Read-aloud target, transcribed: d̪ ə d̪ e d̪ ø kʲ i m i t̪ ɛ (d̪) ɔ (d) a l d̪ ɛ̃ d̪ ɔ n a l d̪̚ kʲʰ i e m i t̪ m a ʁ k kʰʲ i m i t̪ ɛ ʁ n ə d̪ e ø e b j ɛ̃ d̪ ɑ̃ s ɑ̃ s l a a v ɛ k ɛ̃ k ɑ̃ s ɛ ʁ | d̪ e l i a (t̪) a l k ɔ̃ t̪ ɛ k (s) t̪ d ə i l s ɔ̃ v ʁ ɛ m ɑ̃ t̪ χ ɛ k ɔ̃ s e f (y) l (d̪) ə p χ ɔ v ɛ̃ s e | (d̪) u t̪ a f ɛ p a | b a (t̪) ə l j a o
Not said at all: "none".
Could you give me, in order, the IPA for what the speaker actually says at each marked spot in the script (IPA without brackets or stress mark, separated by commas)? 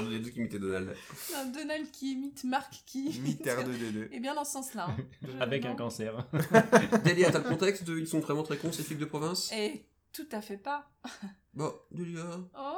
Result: d̪, n, t̪, s, i, d̪, t̪, d̪